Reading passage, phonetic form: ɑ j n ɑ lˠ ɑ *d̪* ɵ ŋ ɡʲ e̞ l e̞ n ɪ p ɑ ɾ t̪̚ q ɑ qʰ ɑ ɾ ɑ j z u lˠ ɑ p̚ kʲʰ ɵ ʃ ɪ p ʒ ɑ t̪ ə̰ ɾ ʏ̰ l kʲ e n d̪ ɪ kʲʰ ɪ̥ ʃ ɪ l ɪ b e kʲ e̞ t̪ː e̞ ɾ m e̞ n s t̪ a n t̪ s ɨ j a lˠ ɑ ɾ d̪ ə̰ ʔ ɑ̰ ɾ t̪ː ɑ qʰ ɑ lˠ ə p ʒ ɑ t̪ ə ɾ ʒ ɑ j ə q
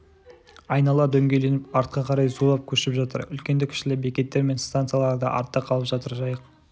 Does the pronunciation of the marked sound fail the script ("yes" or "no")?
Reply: no